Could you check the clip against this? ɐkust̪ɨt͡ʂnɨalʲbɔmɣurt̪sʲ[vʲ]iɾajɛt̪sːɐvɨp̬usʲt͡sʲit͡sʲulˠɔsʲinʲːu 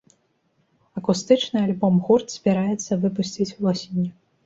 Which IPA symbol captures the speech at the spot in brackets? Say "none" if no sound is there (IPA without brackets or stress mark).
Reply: bʲ